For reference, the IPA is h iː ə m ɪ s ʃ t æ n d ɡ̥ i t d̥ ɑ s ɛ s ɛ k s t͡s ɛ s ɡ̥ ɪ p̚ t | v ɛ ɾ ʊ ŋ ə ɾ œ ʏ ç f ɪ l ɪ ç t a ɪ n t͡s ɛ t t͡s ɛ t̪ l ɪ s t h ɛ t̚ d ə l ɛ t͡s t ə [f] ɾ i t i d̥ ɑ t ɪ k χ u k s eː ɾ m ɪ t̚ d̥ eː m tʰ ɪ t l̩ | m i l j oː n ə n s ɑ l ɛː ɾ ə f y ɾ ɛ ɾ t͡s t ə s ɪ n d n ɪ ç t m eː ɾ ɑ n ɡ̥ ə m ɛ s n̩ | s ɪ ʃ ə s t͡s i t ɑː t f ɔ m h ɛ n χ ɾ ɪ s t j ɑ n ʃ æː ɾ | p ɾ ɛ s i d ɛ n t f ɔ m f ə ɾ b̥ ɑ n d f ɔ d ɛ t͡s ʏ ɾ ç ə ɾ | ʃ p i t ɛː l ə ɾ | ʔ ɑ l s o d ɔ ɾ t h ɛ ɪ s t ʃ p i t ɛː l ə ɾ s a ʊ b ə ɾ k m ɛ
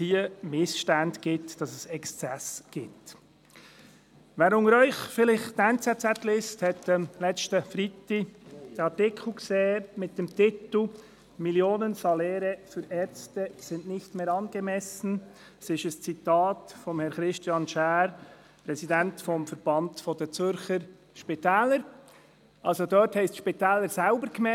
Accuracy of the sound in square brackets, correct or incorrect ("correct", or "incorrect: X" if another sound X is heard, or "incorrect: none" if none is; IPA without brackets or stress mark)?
correct